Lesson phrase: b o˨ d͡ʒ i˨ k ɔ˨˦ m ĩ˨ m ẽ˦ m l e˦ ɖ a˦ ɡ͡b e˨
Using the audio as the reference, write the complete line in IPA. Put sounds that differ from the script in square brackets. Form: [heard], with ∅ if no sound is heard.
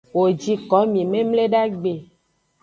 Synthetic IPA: [w] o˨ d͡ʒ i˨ k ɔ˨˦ m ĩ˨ m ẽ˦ m l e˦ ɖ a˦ ɡ͡b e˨